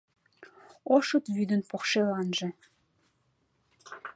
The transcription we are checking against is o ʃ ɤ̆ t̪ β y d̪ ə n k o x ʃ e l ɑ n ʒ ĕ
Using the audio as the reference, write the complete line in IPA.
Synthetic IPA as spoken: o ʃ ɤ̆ t̪ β y d̪ ə n p o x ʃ e l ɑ n ʒ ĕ

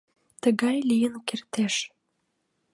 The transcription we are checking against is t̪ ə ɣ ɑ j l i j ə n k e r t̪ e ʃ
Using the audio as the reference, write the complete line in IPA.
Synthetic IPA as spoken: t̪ ə ɣ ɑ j l i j ə n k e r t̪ e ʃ

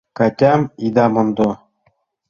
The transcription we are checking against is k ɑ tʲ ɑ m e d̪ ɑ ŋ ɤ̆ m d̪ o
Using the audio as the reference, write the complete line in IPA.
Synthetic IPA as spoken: k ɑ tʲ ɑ m i d̪ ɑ m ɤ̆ n d̪ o

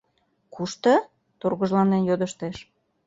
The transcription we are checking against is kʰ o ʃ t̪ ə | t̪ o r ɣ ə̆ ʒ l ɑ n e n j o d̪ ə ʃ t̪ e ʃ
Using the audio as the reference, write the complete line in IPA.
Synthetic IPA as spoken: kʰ u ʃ t̪ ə | t̪ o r ɣ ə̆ ʒ l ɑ n e n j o d̪ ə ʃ t̪ e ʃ

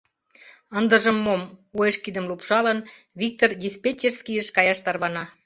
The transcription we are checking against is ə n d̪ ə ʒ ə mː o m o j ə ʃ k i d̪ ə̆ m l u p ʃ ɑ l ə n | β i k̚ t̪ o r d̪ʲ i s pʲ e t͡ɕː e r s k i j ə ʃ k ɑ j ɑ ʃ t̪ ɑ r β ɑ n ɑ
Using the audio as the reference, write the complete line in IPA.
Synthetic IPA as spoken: ə n d̪ ə ʒ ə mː o m o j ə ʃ k i d̪ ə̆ m l u p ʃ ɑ l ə n | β i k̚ t̪ o r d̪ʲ i s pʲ e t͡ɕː e r s k i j ə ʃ k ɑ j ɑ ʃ t̪ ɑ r β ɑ n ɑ

